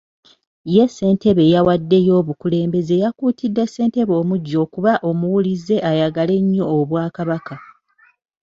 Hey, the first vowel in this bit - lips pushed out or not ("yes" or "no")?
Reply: no